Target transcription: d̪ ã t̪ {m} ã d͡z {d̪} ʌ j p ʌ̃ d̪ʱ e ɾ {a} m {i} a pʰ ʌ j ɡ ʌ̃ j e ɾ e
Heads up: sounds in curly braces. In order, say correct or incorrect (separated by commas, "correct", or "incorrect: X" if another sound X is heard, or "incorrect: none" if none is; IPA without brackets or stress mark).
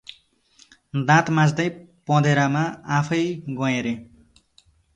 correct, correct, correct, incorrect: a